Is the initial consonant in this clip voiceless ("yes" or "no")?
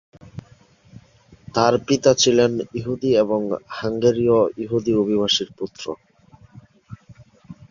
yes